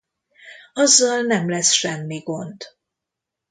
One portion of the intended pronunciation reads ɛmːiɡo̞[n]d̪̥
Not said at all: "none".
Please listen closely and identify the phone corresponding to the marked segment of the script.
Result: n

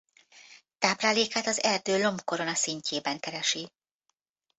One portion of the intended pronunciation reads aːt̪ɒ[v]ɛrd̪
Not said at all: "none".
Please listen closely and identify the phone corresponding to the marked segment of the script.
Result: z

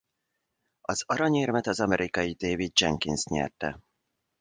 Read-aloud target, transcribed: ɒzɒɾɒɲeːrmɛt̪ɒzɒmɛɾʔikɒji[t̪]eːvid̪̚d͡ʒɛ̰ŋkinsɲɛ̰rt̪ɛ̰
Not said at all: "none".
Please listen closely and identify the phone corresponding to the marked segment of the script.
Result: d̪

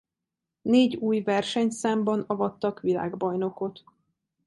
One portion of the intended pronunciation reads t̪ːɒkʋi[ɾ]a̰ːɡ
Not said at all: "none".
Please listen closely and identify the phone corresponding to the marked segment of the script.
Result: l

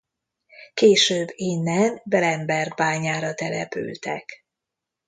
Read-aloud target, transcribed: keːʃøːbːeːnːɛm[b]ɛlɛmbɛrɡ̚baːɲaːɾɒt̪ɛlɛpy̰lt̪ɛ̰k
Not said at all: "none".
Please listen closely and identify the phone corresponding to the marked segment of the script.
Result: b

